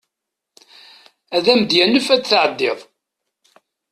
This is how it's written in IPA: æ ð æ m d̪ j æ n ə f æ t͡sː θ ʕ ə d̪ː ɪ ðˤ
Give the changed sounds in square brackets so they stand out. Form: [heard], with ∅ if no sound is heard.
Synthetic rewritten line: æ ð æ m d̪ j æ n ə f æ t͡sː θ ʕ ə d̪ː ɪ ðˤ

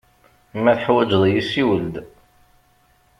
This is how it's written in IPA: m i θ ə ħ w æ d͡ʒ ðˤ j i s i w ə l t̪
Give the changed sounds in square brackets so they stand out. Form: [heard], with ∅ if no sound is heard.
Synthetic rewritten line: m [æ] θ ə ħ w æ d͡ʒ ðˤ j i s i w ə l [d̪]

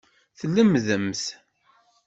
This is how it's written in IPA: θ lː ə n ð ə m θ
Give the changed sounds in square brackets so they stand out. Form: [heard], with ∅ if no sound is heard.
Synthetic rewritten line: θ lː ə [m] ð ə m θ

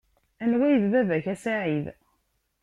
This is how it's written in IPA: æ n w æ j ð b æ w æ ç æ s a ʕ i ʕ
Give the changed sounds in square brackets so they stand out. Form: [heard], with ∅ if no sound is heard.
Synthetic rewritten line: æ n w æ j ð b æ [v] æ ç æ s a ʕ i [ð]

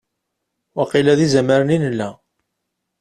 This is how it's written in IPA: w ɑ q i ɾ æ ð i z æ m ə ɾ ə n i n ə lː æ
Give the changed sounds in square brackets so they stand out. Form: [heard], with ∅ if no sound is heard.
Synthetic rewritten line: w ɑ q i [l] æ ð i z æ m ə ɾ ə n i n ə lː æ

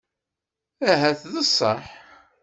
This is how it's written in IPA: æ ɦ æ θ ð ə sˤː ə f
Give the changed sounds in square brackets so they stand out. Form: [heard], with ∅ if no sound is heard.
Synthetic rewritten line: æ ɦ æ θ ð ə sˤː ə [ħ]

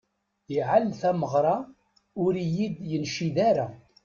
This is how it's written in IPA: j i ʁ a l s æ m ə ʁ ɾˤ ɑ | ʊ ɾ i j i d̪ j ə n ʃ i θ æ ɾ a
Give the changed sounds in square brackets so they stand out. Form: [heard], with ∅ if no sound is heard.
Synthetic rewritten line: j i [ʕ] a l [θ] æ m ə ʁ ɾˤ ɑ | ʊ ɾ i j i d̪ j ə n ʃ i [ð] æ ɾ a

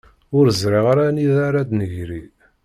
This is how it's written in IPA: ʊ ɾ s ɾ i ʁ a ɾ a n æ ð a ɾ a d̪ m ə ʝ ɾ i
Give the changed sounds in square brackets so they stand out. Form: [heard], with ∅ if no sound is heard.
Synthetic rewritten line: ʊ ɾ [z] ɾ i ʁ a ɾ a n [i] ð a ɾ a d̪ [n] ə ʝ ɾ i

